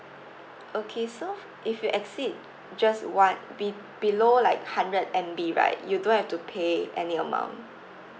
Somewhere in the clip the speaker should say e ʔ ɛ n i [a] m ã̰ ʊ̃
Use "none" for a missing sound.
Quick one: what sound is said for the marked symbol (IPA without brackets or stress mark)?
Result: ə